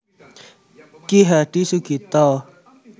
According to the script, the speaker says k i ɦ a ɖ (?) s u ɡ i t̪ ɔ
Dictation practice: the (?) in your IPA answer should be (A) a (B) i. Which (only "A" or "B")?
B